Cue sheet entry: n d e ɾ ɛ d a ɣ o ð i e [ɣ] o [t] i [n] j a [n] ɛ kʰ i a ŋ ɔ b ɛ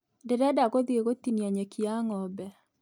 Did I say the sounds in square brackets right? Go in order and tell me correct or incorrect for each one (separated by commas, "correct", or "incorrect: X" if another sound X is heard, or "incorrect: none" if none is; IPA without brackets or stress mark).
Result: correct, correct, correct, incorrect: ɲ